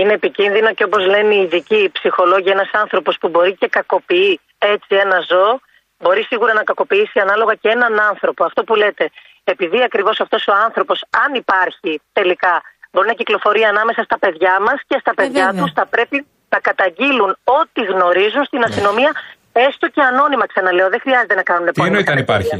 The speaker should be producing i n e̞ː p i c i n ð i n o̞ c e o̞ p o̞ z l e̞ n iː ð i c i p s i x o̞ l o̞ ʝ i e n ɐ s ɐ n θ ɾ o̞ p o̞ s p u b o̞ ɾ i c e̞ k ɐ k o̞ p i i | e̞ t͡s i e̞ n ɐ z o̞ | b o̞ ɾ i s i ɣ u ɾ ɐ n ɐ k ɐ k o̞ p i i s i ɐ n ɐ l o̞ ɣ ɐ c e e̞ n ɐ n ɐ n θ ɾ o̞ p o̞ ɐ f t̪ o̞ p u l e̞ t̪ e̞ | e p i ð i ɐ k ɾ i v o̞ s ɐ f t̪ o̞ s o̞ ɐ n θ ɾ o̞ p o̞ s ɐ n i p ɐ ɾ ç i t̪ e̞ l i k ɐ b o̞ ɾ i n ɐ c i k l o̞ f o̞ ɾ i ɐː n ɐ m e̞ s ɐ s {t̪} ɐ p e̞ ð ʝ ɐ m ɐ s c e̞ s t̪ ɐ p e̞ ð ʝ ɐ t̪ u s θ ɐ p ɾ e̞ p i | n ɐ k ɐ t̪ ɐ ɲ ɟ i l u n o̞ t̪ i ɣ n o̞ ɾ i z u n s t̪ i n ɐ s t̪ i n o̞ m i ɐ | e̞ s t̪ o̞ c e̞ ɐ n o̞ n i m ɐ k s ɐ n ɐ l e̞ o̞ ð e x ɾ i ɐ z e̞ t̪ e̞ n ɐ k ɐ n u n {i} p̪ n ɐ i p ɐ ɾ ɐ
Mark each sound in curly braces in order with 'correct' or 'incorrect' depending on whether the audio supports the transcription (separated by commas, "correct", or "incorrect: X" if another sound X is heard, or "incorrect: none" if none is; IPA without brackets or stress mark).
correct, incorrect: e